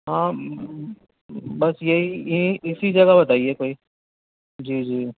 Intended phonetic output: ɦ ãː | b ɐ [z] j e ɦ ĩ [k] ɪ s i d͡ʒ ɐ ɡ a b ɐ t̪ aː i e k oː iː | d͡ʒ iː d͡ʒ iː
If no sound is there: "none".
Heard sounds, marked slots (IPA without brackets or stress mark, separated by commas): s, none